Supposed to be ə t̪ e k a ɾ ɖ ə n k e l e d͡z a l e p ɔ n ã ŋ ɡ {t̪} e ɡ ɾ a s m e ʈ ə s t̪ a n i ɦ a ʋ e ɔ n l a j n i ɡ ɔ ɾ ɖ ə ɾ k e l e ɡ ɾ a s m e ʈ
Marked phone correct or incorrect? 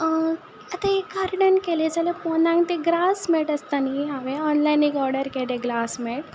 correct